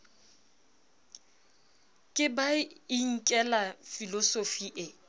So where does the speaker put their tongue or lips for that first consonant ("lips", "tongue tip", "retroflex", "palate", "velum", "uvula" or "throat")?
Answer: velum